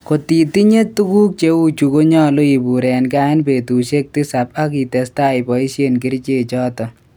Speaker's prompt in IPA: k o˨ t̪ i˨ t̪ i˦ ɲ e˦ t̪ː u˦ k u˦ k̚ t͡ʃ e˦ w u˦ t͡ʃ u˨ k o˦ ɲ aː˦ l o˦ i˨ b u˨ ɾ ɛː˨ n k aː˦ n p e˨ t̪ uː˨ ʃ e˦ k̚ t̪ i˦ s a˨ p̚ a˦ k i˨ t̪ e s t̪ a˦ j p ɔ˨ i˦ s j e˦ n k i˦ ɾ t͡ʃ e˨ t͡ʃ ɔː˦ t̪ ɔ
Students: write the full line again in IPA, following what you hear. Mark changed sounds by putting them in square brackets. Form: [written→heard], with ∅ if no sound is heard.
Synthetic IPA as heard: k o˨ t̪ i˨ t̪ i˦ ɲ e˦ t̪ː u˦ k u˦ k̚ t͡ʃ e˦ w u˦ t͡ʃ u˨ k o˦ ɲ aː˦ l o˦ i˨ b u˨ ɾ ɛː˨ n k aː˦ n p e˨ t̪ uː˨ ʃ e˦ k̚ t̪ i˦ s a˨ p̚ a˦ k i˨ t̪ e s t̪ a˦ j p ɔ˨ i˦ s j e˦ n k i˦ ɾ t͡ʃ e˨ t͡ʃ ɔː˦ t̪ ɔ

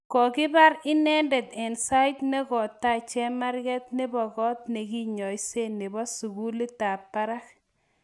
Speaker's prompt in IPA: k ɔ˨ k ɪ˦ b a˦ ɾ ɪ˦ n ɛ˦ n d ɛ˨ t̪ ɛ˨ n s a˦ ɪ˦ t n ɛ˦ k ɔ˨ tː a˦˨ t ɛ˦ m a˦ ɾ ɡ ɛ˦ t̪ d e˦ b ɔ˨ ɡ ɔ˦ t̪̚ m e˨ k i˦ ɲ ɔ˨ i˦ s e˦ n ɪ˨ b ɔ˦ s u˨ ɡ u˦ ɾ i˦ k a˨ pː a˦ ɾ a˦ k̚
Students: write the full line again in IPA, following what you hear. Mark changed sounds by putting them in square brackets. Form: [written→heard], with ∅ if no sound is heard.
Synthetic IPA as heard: k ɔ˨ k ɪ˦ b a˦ ɾ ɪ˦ n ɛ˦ n d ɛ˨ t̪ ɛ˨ n s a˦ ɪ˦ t n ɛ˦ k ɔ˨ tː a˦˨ [t→t͡ʃ] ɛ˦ m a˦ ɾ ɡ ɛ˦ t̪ [d→n] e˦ b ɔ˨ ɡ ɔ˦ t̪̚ [m→n] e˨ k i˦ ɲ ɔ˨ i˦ s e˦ n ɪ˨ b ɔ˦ s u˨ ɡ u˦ [ɾ→l] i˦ [k→t] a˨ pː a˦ ɾ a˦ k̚

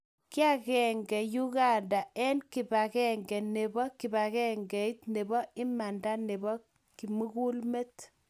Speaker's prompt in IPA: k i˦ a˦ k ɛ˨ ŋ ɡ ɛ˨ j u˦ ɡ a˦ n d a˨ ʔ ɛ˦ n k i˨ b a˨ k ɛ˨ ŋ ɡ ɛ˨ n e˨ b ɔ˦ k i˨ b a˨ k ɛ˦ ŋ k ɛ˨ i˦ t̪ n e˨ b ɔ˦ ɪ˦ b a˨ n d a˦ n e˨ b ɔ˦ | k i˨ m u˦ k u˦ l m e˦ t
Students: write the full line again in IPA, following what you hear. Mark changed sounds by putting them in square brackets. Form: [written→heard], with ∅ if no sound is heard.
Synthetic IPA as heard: k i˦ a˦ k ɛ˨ ŋ ɡ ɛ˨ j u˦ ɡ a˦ n d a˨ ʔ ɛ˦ n k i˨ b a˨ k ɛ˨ ŋ ɡ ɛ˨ n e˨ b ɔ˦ k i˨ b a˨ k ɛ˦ ŋ [k→ɡ] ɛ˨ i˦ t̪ n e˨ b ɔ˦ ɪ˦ [b→m] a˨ n d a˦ n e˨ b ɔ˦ | k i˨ m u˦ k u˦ l m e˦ t

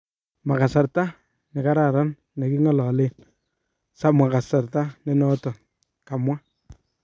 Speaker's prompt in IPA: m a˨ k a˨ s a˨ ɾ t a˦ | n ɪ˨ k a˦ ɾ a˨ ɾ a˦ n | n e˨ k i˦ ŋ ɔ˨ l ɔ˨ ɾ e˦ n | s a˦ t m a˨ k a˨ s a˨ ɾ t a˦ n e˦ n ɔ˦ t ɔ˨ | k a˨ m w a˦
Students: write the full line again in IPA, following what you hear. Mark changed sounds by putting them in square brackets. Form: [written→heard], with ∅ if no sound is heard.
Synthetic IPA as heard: m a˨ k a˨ s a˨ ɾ t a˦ | n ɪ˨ k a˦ ɾ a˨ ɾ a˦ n | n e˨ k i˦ ŋ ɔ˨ l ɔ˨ [ɾ→l] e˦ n | s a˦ [t→∅] m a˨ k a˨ s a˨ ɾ t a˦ n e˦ n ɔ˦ t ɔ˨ | k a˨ m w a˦

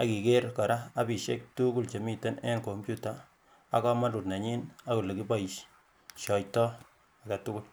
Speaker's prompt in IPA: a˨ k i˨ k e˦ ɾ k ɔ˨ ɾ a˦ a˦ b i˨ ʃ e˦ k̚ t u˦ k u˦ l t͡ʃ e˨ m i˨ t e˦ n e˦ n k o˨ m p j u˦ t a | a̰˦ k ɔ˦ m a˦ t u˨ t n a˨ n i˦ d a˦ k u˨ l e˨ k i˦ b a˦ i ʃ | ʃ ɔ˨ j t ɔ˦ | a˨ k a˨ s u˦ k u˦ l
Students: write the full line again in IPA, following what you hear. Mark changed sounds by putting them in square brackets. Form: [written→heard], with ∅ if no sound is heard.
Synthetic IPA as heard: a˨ k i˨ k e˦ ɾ k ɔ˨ ɾ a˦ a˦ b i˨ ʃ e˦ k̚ t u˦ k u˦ l t͡ʃ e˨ m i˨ t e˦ n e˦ n k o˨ m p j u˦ t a | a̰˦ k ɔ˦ m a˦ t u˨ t n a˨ [n→ɲ] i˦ [d→n] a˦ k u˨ l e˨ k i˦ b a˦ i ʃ | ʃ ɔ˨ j t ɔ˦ | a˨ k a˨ [s→t] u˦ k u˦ l

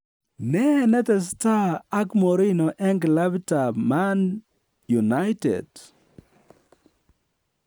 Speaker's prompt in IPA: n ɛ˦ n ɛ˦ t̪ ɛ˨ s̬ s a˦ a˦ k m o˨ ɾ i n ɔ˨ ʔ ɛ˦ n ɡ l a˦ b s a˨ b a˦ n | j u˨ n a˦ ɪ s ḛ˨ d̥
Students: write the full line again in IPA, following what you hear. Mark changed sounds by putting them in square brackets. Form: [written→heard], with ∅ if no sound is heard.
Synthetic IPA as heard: n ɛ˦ n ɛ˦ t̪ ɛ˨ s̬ [s→t] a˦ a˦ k m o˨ ɾ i n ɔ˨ ʔ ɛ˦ [n→ŋ] ɡ l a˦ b [s→t] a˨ [b→m] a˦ n | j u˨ n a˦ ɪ [s→t] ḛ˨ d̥

